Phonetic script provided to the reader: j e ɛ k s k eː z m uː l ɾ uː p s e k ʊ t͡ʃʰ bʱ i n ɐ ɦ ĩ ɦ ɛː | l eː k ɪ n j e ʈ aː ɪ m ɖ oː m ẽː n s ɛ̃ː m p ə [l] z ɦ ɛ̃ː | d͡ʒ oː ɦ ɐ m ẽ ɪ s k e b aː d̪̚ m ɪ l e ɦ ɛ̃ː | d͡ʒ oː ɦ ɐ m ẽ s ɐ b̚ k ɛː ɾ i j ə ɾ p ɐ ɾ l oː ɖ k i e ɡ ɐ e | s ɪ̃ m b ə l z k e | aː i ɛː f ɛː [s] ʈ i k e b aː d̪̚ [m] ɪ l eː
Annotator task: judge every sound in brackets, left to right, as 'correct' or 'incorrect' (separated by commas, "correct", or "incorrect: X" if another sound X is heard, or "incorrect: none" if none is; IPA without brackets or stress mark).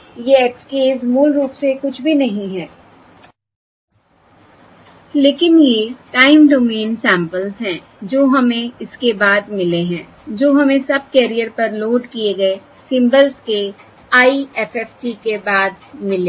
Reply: correct, incorrect: f, correct